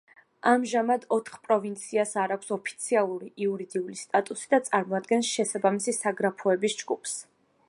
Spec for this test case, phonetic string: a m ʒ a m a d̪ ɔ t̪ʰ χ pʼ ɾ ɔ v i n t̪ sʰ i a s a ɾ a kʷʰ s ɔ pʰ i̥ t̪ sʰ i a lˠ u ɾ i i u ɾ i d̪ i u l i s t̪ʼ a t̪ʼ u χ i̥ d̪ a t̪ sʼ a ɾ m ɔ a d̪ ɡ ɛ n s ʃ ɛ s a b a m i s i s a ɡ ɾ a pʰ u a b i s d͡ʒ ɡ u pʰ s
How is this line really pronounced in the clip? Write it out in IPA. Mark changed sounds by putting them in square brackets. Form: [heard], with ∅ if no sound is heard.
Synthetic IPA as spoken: a m ʒ a m a d̪ ɔ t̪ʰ χ pʼ ɾ ɔ v i n t̪ sʰ i a s a ɾ a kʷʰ s ɔ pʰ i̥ t̪ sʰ i a lˠ u ɾ i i u ɾ i d̪ i u l i s t̪ʼ a t̪ʼ u [s] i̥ d̪ a t̪ sʼ a ɾ m ɔ a d̪ ɡ ɛ n s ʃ ɛ s a b a m i s i s a ɡ ɾ a pʰ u [ɛ] b i s d͡ʒ ɡ u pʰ s